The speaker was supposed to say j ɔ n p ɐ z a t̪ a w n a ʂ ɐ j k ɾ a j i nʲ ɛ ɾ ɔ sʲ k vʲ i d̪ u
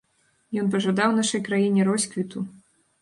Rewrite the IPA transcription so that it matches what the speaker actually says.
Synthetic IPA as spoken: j ɔ n p ɐ ʐ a d̪ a w n a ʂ ɐ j k ɾ a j i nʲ ɛ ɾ ɔ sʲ k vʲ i t̪ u